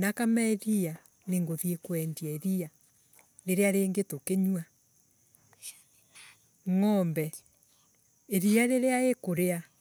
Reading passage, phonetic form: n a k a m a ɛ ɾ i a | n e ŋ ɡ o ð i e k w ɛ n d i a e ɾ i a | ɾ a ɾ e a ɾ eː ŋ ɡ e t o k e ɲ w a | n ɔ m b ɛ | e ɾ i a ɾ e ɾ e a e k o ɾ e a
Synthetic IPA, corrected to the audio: n a k a m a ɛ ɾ i a | n e ŋ ɡ o ð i e k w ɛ n d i a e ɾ i a | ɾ e ɾ e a ɾ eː ŋ ɡ e t o k e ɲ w a | ŋ ɔ m b ɛ | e ɾ i a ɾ e ɾ e a e k o ɾ e a